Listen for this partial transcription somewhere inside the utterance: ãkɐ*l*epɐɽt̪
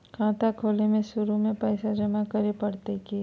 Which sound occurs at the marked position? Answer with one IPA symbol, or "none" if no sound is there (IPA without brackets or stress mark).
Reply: ɾ